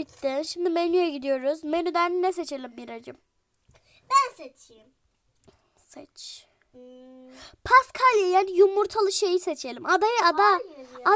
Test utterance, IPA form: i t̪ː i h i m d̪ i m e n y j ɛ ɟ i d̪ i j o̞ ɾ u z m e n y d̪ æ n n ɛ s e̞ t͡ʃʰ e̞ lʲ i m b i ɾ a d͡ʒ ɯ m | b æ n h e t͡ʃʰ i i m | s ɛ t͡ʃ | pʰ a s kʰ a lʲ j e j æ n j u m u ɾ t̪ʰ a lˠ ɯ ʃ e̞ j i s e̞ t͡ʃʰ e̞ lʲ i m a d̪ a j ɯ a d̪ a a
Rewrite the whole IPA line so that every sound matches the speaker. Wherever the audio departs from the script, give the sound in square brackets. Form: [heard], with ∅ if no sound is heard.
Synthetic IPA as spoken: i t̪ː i [ʃ] i m d̪ i m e n y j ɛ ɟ i d̪ i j o̞ ɾ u z m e n y d̪ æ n n ɛ s e̞ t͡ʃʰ e̞ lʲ i m b i ɾ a d͡ʒ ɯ m | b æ n [s] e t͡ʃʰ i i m | s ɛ t͡ʃ | pʰ a s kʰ a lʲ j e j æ n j u m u ɾ t̪ʰ a lˠ ɯ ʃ e̞ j i s e̞ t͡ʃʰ e̞ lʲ i m a d̪ a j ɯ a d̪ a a

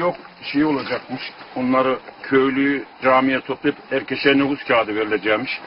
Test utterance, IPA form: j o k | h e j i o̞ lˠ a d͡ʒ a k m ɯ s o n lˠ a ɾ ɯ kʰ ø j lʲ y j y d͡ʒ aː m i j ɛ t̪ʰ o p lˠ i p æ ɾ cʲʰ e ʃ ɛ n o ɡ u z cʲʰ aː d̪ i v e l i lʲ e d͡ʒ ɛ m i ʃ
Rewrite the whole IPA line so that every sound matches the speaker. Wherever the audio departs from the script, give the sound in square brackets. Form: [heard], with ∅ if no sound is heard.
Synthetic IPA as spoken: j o k | [ʃ] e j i o̞ lˠ a d͡ʒ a k m ɯ [ʃ] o n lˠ a ɾ ɯ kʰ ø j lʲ y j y d͡ʒ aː m i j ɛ t̪ʰ o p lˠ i p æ ɾ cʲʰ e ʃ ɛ n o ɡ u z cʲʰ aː d̪ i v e [ɾ] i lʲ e d͡ʒ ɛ m i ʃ

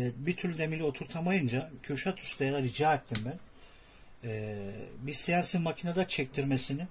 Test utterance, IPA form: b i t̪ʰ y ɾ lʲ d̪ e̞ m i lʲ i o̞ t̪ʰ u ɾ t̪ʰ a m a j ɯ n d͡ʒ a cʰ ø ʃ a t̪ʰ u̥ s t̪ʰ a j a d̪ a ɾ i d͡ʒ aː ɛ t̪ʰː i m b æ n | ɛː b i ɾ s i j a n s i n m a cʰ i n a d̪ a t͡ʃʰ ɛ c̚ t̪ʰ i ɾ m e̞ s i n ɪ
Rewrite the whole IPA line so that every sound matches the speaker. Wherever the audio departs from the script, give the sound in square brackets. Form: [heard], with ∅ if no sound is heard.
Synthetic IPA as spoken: b i t̪ʰ y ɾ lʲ d̪ e̞ m i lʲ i o̞ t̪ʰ u ɾ t̪ʰ a m a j ɯ n d͡ʒ a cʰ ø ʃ a t̪ʰ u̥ s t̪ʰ a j a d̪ a ɾ i d͡ʒ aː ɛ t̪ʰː i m b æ n | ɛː b i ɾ s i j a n s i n m a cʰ i n a d̪ a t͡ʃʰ ɛ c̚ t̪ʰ i ɾ m e̞ s i n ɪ

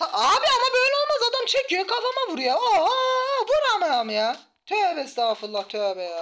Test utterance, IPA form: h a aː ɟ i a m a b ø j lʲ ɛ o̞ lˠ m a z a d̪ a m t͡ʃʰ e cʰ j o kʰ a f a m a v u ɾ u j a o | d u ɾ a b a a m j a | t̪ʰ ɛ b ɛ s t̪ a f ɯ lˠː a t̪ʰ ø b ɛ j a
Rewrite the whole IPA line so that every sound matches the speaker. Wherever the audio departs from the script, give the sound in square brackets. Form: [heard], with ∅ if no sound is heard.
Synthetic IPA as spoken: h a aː [b] i a m a b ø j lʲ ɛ o̞ lˠ m a z a d̪ a m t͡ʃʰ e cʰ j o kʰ a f a m a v u ɾ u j a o | [b] u ɾ a [m] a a m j a | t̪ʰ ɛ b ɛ s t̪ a f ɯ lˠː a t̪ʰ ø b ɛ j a

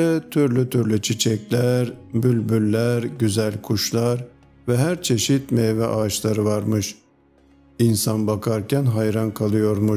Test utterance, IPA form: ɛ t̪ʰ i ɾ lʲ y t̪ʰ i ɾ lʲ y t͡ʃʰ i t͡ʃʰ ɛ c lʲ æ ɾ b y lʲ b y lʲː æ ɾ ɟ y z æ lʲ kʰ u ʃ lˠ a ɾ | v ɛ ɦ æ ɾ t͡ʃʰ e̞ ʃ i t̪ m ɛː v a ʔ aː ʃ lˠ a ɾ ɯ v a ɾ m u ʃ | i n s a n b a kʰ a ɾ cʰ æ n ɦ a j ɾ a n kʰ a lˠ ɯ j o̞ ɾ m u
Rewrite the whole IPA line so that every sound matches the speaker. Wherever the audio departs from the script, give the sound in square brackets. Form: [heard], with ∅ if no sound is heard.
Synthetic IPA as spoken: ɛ t̪ʰ [y] ɾ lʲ y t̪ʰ [y] ɾ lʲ y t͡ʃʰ i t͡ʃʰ ɛ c lʲ æ ɾ b y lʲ b y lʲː æ ɾ ɟ y z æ lʲ kʰ u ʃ lˠ a ɾ | v ɛ ɦ æ ɾ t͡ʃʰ e̞ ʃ i t̪ m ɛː v [ɛ] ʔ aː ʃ lˠ a ɾ ɯ v a ɾ m [ɯ] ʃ | i n s a n b a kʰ a ɾ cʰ æ n ɦ a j ɾ a n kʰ a lˠ ɯ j o̞ ɾ m u

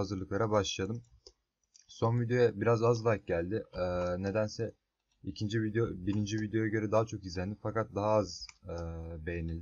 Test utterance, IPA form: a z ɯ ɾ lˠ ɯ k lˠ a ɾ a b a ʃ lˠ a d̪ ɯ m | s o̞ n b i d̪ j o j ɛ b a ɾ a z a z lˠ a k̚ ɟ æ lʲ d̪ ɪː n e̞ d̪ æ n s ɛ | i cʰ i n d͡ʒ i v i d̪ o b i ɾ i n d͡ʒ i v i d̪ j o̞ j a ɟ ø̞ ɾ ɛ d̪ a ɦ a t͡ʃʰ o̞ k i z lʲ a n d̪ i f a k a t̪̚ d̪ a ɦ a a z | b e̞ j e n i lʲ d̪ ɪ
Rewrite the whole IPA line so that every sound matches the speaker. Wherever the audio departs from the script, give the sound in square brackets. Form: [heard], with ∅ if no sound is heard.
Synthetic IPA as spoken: a z ɯ ɾ lˠ ɯ k lˠ a ɾ a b a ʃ lˠ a d̪ ɯ m | s o̞ n [v] i d̪ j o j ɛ b [i] ɾ a z a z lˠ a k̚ ɟ æ lʲ d̪ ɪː n e̞ d̪ æ n s ɛ | i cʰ i n d͡ʒ i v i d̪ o b i ɾ i n d͡ʒ i v i d̪ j o̞ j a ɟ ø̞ ɾ ɛ d̪ a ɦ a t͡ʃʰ o̞ k i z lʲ [æ] n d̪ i f a k a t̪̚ d̪ a ɦ a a z | b e̞ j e n i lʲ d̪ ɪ

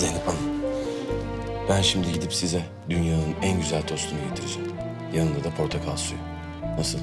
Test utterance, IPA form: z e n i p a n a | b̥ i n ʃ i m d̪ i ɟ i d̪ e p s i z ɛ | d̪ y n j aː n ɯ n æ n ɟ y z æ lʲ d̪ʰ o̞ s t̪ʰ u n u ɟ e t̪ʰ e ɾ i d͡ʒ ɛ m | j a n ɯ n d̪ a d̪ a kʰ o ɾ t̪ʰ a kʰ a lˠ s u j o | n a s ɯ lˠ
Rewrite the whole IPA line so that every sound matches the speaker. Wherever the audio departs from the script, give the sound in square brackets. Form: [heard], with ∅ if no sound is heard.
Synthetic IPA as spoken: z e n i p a n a | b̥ [æ] n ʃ i m d̪ i ɟ i d̪ [i] p s i z ɛ | d̪ y n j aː n ɯ n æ n ɟ y z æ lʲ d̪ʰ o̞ s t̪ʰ u n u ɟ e t̪ʰ [i] ɾ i d͡ʒ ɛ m | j a n ɯ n d̪ a d̪ a [pʰ] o ɾ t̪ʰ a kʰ a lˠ s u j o | n a s ɯ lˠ

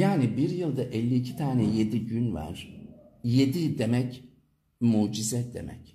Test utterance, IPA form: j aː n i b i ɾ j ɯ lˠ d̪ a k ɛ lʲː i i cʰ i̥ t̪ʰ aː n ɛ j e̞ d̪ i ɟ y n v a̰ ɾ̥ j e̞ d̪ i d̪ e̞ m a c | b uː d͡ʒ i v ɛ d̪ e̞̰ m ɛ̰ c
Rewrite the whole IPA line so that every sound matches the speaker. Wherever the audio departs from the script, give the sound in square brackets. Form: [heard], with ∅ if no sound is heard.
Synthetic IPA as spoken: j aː n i b i ɾ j ɯ lˠ d̪ a [ʔ] ɛ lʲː i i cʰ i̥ t̪ʰ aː n ɛ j e̞ d̪ i ɟ y n v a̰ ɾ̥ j e̞ d̪ i d̪ e̞ m [ɛ] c | [m] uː d͡ʒ i [z] ɛ d̪ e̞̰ m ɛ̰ c

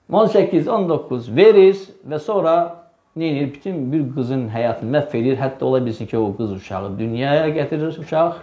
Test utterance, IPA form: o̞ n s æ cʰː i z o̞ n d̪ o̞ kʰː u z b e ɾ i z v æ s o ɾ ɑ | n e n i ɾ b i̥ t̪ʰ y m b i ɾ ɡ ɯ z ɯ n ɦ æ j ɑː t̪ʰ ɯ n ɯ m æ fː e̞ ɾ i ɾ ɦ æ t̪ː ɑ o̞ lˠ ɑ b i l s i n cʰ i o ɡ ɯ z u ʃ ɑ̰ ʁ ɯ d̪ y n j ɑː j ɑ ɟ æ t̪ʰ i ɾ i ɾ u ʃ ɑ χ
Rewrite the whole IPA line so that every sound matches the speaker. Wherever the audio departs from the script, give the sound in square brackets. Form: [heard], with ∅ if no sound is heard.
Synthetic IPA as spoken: o̞ n s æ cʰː i z o̞ n d̪ o̞ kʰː u z [v] e ɾ i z v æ s o ɾ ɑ | n e n i ɾ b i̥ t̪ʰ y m b i ɾ ɡ ɯ z ɯ n ɦ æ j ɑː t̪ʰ ɯ n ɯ m æ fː e̞ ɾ i ɾ ɦ æ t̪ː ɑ o̞ lˠ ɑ b i l s i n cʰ i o ɡ ɯ z u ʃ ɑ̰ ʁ ɯ d̪ y n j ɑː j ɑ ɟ æ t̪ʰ i ɾ i ɾ u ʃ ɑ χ

